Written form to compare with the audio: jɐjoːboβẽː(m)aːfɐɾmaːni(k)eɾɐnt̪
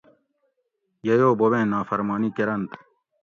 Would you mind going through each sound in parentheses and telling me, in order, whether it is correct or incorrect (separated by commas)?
incorrect, correct